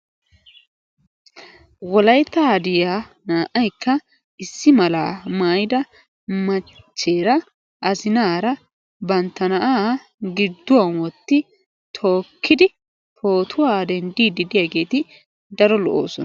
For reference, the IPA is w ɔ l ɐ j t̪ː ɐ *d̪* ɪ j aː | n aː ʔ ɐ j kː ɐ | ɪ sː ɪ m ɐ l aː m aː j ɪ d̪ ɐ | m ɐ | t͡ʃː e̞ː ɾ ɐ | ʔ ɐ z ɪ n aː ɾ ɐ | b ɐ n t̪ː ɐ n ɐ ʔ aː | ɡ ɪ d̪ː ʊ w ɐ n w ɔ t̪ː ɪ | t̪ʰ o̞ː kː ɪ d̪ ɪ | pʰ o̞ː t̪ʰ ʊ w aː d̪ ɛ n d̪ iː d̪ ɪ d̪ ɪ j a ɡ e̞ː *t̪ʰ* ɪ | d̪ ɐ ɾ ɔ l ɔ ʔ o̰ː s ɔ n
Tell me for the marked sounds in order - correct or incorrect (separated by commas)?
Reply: correct, incorrect